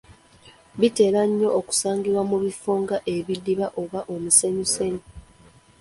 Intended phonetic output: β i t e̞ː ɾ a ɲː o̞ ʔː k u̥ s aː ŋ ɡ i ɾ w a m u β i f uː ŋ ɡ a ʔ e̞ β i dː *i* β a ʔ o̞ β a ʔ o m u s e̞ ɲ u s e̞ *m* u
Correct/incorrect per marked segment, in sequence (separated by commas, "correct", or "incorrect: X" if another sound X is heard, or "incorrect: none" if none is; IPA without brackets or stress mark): correct, incorrect: ɲ